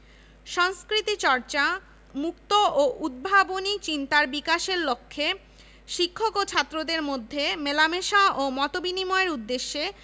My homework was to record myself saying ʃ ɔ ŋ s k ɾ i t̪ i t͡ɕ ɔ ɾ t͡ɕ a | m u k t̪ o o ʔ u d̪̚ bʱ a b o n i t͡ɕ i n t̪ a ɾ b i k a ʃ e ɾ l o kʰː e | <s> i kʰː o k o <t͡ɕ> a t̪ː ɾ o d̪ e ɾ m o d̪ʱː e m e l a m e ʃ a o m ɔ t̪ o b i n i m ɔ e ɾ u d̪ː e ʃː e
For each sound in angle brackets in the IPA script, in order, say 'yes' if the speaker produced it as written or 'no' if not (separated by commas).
no, no